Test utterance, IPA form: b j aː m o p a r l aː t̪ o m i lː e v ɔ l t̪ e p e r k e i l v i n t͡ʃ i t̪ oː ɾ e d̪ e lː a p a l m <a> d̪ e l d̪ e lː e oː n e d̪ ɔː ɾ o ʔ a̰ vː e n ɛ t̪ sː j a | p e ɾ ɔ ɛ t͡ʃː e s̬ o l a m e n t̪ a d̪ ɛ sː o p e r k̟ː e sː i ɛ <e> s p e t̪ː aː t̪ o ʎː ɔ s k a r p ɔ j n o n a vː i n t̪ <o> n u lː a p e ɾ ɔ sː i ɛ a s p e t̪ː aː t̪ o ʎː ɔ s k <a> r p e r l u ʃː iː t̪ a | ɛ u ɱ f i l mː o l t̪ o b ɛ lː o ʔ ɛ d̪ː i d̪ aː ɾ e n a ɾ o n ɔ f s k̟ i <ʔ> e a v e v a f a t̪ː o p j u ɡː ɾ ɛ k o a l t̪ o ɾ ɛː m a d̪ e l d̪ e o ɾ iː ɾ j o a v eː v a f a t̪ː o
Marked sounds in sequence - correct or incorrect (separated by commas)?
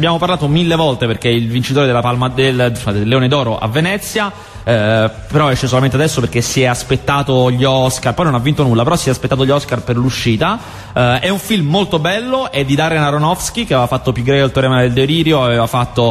correct, incorrect, correct, correct, incorrect